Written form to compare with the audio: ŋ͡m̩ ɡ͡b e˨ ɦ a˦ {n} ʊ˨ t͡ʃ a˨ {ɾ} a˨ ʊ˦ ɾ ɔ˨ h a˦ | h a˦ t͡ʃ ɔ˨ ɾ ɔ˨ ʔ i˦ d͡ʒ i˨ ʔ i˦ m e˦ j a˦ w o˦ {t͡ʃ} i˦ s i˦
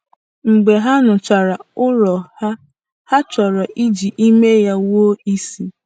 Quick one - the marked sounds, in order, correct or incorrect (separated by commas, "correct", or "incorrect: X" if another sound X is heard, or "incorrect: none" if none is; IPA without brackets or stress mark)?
correct, correct, incorrect: none